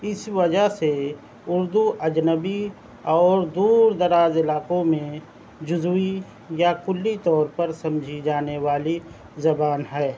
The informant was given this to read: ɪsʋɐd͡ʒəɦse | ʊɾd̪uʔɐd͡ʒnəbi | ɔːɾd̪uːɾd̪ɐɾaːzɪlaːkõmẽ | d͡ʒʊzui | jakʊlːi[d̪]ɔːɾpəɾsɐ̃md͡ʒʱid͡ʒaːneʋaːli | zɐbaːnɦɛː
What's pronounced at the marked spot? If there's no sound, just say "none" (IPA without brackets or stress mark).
t̪